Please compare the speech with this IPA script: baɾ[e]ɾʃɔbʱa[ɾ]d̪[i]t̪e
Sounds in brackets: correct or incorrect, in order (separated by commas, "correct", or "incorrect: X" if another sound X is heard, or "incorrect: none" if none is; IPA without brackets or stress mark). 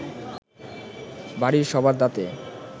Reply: incorrect: i, correct, incorrect: a